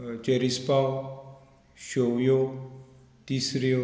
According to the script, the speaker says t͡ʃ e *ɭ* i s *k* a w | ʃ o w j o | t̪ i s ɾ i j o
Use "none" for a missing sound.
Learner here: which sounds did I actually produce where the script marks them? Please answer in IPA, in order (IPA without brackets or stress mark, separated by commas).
ɾ, p